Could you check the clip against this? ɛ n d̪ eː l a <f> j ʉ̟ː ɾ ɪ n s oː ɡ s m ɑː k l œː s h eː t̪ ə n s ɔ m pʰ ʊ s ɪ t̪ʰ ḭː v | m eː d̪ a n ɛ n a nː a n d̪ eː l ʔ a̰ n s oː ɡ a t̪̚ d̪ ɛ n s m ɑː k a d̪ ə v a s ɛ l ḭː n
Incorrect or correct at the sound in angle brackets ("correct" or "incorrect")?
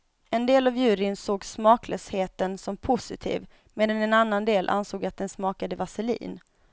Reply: incorrect